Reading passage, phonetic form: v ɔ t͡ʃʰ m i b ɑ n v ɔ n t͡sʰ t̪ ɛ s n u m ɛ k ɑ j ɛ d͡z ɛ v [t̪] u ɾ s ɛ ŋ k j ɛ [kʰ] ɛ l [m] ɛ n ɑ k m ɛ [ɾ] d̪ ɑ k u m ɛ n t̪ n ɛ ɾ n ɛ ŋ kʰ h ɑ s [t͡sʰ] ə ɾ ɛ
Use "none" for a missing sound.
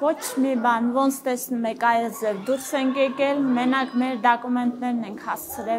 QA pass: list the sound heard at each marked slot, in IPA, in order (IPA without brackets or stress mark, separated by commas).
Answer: d̪, k, m, ɾ, t͡sʰ